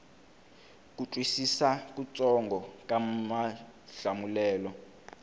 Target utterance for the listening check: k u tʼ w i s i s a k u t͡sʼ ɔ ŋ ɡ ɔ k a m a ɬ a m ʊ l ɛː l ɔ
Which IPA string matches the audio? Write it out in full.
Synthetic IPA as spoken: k u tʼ w i s i s a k u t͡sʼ ɔ ŋ ɡ ɔ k a m a ɬ a m u l ɛː l ɔ